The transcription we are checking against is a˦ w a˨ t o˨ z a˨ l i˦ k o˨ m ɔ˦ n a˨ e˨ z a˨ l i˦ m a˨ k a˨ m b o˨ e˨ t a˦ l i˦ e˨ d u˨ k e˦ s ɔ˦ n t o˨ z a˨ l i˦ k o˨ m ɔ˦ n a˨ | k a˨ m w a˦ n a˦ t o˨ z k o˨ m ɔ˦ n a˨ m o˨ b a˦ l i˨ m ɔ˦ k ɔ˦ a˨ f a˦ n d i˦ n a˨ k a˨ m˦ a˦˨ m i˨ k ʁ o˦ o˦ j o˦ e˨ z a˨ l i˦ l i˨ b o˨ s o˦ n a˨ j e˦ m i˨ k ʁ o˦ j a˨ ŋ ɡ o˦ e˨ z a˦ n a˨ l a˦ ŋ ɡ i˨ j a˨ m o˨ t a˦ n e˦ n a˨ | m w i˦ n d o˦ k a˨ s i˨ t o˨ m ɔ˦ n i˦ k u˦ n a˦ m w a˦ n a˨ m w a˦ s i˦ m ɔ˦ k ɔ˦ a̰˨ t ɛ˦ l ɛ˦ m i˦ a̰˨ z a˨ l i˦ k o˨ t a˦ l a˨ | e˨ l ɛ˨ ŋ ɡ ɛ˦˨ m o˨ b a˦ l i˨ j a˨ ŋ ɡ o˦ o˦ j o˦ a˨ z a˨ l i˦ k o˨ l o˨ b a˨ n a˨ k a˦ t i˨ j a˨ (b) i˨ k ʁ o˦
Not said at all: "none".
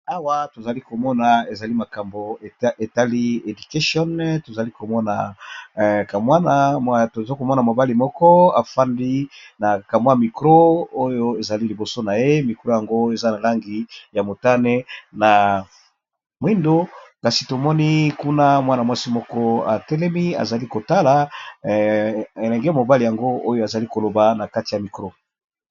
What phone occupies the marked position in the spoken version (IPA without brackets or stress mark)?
m